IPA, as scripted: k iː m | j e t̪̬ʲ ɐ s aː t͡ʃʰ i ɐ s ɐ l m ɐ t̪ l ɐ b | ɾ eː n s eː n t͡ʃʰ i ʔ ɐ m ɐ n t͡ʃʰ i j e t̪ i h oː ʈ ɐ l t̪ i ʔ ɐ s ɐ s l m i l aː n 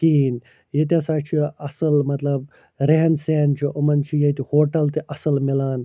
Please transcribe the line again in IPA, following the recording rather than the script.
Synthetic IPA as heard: k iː n | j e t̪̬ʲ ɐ s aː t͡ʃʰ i ɐ s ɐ l m ɐ t̪ l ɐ b | ɾ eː n s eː n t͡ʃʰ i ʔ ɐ m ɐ n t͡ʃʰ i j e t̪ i h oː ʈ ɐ l t̪ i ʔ ɐ s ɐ l m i l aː n